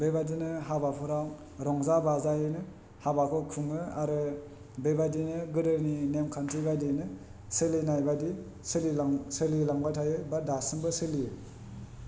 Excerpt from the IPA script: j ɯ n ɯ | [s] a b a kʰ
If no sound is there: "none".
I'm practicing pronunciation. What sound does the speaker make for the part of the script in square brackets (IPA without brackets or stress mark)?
h